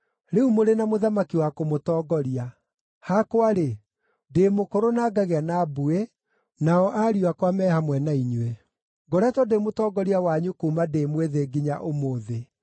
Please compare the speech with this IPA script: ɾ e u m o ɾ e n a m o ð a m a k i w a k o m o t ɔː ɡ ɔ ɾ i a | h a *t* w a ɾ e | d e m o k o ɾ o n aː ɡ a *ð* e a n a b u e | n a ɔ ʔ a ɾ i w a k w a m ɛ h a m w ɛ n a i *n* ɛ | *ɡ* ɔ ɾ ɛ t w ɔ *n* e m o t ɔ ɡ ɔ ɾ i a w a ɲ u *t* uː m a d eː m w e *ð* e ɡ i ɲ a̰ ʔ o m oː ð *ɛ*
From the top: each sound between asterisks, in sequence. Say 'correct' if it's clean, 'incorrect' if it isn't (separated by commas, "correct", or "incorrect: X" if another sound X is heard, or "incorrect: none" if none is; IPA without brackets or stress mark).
incorrect: k, incorrect: ɣ, incorrect: ɲ, correct, incorrect: d, incorrect: k, correct, incorrect: e